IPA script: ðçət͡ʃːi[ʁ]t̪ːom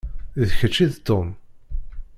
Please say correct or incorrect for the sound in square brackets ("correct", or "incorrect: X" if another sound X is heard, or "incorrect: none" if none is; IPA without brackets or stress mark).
incorrect: ð